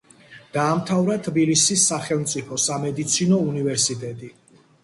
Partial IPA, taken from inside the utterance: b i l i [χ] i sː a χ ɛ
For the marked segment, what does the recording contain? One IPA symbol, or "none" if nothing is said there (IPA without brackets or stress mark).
s